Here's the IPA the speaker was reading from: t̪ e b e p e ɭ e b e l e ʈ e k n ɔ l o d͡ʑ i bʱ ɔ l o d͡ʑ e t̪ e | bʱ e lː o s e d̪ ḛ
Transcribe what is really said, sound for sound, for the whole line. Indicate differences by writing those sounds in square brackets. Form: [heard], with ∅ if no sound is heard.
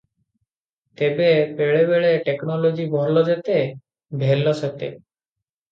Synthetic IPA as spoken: t̪ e b e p e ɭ e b e [ɭ] e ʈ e k n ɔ l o d͡ʑ i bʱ ɔ l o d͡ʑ e t̪ e | bʱ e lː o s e [t̪] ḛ